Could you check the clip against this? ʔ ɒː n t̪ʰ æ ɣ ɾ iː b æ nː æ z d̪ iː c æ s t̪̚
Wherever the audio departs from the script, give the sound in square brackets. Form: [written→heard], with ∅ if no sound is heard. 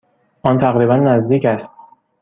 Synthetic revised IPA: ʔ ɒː n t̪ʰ æ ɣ ɾ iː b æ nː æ z d̪ iː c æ s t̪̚